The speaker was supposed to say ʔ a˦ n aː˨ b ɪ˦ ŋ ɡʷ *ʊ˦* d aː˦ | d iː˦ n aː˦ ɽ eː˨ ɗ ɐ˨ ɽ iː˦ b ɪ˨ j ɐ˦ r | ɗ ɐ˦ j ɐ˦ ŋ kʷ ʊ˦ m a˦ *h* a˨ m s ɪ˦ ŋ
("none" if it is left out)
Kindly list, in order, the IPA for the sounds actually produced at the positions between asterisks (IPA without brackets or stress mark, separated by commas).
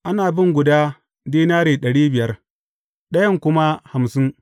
ʊ˨, h